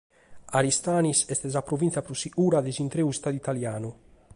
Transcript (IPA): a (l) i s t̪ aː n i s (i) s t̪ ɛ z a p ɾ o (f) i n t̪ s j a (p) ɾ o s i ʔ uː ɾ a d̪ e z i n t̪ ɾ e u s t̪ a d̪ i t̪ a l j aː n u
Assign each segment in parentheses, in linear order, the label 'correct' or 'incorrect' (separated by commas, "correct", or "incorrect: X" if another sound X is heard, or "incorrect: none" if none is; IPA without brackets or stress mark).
incorrect: ɾ, incorrect: ɛ, incorrect: v, correct